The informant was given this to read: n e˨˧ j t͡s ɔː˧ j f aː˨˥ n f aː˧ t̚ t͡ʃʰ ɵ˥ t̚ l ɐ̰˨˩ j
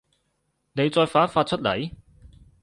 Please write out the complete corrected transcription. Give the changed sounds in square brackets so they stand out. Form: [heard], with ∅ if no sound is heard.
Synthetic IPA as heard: n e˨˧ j t͡s ɔː˧ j f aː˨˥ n f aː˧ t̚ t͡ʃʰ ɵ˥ t̚ l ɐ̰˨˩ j